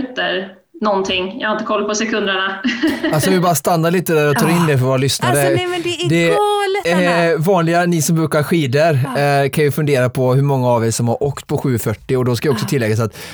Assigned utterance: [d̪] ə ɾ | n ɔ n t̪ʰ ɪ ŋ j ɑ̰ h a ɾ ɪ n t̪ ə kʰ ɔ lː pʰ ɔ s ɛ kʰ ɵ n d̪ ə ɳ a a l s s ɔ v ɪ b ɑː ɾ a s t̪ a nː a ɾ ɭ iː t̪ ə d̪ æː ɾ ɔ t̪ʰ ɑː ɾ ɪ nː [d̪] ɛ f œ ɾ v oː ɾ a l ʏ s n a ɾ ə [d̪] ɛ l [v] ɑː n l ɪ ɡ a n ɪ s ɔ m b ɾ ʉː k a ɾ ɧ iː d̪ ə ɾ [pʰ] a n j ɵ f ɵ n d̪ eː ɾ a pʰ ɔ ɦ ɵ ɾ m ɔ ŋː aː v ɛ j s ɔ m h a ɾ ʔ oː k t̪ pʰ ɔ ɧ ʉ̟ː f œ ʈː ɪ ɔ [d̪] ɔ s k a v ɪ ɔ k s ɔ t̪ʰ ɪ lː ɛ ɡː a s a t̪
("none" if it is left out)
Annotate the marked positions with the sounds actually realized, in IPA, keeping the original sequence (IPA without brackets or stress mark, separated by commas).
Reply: t̪, d̪, d̪, v, kʰ, d̪